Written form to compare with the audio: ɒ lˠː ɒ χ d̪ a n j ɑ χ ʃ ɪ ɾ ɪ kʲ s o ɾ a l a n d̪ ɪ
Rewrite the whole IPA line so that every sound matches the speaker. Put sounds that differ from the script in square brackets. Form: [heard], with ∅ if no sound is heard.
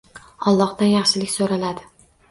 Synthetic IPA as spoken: ɒ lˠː ɒ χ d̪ a n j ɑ χ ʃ ɪ [l] ɪ kʲ s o ɾ a l a [∅] d̪ ɪ

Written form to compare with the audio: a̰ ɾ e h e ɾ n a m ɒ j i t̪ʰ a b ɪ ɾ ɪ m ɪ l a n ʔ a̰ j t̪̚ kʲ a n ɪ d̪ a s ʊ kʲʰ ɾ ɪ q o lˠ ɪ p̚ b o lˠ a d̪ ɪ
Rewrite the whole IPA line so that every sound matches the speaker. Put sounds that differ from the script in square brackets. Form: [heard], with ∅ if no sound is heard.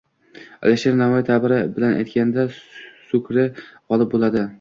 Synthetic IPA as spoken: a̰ [l] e [ʃ] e ɾ n a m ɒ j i t̪ʰ a b ɪ ɾ ɪ [b] ɪ l a n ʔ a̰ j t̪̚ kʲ a n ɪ d̪ a s ʊ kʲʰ ɾ ɪ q [ɒ] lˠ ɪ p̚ b o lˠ a d̪ ɪ

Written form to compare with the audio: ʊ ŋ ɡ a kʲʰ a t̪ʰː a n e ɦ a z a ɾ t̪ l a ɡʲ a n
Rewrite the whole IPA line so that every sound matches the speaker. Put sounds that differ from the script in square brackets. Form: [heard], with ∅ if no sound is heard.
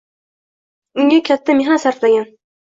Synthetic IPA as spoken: ʊ ŋ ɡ a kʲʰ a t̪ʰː a [m] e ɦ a [s] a ɾ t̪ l a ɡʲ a n

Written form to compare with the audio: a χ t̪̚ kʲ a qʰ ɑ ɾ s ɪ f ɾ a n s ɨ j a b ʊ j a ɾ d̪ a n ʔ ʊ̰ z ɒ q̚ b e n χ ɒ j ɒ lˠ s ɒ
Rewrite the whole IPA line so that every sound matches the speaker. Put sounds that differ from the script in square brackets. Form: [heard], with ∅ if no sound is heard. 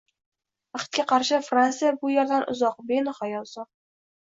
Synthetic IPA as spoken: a χ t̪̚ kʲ a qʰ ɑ ɾ [ʃ] ɪ f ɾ a n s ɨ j a b ʊ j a ɾ d̪ a n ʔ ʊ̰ z ɒ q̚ b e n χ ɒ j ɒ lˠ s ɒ

